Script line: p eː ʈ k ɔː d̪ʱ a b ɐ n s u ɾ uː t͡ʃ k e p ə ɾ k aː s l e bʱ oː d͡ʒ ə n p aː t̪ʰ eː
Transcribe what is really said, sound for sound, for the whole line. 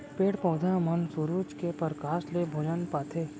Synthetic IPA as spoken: p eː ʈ p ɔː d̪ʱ a m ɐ n s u ɾ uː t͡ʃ k e p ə ɾ k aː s l e bʱ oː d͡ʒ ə n p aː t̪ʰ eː